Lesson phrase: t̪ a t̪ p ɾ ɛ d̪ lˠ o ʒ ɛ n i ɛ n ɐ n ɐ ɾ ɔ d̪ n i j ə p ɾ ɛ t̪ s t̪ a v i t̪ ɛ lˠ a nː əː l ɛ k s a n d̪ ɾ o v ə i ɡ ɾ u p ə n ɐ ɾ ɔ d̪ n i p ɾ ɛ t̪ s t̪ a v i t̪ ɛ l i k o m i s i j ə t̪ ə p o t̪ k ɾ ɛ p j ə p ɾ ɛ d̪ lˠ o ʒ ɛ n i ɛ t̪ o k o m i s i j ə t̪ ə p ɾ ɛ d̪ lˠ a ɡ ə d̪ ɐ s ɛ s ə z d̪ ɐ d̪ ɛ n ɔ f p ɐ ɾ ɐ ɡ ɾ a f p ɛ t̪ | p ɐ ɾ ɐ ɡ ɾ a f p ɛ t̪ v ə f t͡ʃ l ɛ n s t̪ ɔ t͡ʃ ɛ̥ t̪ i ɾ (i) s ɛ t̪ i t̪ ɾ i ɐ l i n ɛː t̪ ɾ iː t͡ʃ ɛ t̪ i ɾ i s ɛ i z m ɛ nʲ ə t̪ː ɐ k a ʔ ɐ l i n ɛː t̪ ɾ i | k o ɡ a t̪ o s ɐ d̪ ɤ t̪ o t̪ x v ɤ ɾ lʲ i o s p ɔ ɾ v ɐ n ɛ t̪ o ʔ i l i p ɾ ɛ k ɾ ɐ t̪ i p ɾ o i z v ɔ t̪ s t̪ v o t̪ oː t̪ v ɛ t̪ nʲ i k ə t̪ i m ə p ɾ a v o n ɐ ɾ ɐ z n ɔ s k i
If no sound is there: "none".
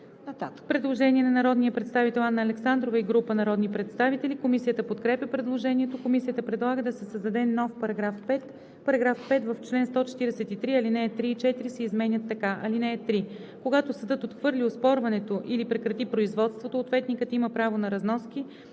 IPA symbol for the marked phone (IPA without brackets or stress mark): ɛ